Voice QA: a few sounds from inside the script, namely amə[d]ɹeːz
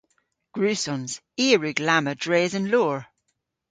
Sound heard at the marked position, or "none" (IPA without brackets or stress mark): d